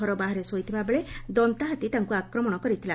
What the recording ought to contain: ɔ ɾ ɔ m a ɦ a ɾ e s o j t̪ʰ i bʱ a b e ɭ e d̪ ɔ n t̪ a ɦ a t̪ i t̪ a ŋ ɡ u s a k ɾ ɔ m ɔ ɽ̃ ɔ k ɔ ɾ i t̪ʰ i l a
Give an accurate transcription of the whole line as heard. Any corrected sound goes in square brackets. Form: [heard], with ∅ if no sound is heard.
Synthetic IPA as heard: ɔ ɾ ɔ [b] a ɦ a ɾ e s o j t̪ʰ i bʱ a b e ɭ e d̪ ɔ n t̪ a ɦ a t̪ i t̪ a ŋ [k] u [∅] a k ɾ ɔ m ɔ ɽ̃ ɔ k ɔ ɾ i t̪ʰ i l a

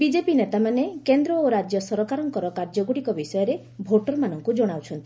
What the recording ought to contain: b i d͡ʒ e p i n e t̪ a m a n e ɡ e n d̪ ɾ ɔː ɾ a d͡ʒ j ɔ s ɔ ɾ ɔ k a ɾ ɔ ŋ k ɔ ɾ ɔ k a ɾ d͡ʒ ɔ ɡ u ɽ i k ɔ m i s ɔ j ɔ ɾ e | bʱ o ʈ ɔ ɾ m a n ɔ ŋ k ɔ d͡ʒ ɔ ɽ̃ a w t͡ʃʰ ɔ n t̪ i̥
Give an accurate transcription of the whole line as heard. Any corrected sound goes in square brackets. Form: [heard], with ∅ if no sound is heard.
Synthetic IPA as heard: b i d͡ʒ e p i n e t̪ a m a n e [k] e n d̪ ɾ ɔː ɾ a d͡ʒ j ɔ s ɔ ɾ ɔ k a ɾ ɔ ŋ k ɔ ɾ ɔ k a ɾ d͡ʒ ɔ ɡ u ɽ i k ɔ [b] i s ɔ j ɔ ɾ e | bʱ o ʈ ɔ ɾ m a n ɔ ŋ k [u] d͡ʒ ɔ ɽ̃ a w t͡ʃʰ ɔ n t̪ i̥

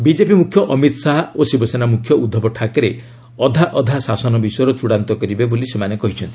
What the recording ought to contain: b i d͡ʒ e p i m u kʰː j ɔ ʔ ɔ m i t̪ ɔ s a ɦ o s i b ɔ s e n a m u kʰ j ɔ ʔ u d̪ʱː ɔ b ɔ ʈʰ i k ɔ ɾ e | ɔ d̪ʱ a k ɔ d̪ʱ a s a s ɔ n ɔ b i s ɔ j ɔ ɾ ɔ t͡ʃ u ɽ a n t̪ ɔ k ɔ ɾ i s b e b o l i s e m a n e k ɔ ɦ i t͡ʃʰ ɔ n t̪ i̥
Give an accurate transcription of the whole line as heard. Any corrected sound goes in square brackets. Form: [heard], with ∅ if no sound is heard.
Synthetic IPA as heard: b i d͡ʒ e p i m u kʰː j ɔ ʔ ɔ m i t̪ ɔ s a ɦ o s i b ɔ s e n a m u kʰ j ɔ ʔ u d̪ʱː ɔ b ɔ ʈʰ [a] k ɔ ɾ e | ɔ d̪ʱ a [ʔ] ɔ d̪ʱ a s a s ɔ n ɔ b i s ɔ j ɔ ɾ ɔ t͡ʃ u ɽ a n t̪ ɔ k ɔ ɾ i [∅] b e b o l i s e m a n e k ɔ ɦ i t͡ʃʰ ɔ n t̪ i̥

